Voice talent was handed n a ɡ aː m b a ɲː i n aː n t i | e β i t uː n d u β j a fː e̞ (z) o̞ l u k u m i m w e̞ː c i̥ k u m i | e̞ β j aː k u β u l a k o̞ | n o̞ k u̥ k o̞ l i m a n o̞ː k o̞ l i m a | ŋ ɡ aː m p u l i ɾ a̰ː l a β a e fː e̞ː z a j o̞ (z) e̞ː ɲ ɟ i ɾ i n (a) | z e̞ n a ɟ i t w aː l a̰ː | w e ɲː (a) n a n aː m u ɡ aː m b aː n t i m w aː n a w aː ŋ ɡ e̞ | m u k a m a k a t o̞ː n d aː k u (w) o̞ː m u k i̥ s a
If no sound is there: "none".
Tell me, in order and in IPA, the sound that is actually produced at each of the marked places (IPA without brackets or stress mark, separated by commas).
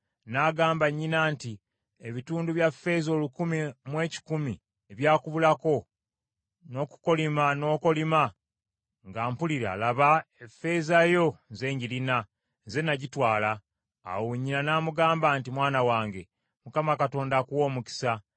z, z, a, i, w